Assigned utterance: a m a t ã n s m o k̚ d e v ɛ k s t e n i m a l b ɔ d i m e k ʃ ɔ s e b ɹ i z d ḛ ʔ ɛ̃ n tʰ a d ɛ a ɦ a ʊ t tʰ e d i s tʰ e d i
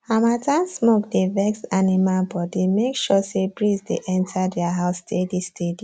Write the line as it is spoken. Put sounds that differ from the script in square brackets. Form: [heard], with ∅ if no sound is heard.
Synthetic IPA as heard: a m a t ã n s m o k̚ d e v ɛ k s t [a] n i m a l b ɔ d i m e k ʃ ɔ s e b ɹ i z d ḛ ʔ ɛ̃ n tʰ a d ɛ a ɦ a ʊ [s] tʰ e d i s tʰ e d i